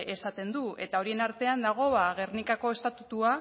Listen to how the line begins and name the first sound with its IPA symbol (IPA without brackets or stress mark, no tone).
e̞